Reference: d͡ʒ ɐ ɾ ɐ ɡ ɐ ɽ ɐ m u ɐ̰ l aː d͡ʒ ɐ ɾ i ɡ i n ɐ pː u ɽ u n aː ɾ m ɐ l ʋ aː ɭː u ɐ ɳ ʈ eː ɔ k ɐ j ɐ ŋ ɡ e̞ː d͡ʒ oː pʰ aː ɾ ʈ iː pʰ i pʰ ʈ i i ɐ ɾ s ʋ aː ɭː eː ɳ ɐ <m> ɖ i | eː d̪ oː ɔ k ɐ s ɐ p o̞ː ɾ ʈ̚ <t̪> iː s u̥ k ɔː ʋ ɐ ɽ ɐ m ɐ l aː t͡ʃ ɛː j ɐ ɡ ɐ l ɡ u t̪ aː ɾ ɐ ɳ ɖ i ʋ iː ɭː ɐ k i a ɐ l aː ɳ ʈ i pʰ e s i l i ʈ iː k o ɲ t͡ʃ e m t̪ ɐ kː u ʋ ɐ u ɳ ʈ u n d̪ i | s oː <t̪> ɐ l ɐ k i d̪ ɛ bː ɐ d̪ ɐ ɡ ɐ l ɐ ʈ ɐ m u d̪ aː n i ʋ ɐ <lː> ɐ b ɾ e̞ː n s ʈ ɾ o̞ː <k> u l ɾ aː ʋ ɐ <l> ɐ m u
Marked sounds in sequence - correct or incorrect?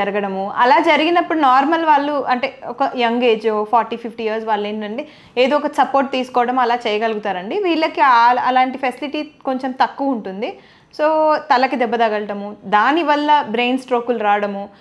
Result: incorrect: ɳ, correct, correct, correct, correct, incorrect: ɽ

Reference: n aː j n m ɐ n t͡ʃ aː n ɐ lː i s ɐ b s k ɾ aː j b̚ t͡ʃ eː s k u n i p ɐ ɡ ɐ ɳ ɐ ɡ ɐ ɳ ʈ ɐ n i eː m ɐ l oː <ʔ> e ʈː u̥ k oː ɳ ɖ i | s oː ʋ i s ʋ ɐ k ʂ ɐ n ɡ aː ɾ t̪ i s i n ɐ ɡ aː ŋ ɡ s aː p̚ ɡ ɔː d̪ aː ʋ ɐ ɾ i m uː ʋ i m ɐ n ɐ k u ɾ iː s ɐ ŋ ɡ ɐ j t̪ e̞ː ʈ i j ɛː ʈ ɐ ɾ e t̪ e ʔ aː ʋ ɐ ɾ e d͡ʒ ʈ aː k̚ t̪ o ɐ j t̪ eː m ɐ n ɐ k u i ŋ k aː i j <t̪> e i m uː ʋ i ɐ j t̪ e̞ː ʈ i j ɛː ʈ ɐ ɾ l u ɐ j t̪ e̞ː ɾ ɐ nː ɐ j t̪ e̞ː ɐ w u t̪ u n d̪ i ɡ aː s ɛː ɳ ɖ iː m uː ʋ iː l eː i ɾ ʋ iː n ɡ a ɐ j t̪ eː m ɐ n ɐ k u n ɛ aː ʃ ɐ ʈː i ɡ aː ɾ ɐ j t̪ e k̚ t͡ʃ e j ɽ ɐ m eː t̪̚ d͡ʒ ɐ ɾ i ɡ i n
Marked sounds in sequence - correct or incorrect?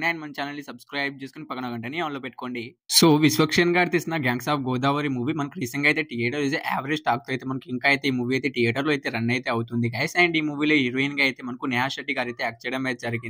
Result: incorrect: p, correct

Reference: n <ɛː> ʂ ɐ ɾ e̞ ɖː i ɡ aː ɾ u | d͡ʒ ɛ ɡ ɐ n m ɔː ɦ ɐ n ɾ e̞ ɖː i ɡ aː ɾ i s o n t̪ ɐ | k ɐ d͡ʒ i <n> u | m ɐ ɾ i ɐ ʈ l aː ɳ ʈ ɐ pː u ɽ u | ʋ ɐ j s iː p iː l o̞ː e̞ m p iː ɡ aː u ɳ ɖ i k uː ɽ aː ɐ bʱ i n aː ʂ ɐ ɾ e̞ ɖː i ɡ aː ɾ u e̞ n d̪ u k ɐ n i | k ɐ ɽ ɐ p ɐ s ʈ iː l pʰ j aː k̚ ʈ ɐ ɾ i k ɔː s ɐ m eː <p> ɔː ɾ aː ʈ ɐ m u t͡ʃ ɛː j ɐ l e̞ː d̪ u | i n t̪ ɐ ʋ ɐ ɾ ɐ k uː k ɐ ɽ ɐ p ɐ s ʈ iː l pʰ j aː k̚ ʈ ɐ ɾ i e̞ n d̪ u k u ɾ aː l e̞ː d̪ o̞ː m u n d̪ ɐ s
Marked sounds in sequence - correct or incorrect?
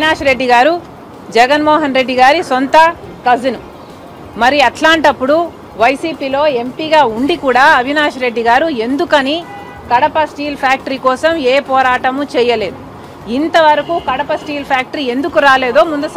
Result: incorrect: aː, correct, correct

